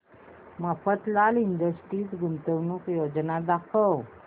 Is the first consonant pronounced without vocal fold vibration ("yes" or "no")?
no